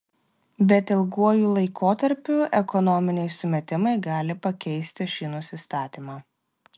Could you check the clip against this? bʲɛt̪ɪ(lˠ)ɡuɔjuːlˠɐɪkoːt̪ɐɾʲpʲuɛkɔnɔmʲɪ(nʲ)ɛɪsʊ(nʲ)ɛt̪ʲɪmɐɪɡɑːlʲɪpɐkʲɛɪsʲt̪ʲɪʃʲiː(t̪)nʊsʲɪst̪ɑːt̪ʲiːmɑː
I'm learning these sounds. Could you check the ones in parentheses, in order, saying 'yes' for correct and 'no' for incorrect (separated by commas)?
yes, yes, no, no